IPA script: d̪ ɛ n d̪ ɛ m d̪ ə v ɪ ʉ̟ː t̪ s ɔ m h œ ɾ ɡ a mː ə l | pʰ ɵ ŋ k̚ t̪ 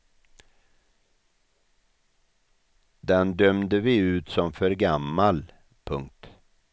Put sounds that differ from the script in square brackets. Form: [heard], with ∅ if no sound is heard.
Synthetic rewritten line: d̪ ɛ n d̪ [œ] m d̪ ə v ɪ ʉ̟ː t̪ s ɔ m [f] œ ɾ ɡ a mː [a] l | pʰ ɵ ŋ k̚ t̪